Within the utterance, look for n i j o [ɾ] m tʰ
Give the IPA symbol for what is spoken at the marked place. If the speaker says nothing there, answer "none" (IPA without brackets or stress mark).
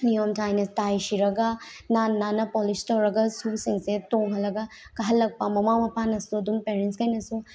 none